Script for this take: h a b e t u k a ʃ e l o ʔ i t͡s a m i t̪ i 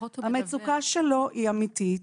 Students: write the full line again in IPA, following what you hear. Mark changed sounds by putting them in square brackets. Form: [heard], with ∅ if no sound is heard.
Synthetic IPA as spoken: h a [m] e [t͡s] u k a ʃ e l o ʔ i [∅] a m i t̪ i